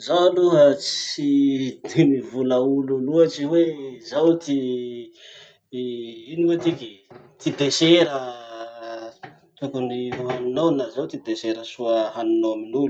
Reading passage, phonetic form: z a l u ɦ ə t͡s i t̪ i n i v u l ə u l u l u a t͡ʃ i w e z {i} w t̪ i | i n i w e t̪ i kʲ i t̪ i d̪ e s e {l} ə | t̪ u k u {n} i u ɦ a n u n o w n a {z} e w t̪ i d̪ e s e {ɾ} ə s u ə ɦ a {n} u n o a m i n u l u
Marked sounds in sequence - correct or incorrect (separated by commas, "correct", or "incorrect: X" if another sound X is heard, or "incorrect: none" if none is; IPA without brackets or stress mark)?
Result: incorrect: a, incorrect: ɾ, correct, correct, correct, correct